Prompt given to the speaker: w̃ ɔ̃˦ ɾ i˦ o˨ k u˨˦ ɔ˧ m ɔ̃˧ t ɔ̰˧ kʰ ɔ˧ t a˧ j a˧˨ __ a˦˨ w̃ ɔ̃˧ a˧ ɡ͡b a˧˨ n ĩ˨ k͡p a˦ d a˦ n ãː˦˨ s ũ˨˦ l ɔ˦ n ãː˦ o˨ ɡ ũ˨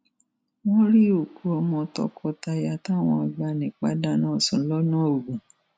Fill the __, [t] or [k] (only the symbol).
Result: t